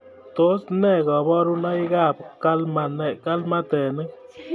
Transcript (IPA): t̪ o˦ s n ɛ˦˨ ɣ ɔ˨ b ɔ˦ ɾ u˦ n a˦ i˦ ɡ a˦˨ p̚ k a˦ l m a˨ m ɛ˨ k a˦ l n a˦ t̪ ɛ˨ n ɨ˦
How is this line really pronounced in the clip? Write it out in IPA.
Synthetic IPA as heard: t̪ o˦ s n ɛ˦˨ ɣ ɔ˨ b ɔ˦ ɾ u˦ n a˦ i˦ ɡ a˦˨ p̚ k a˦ l m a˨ n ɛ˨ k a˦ l m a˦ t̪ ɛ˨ n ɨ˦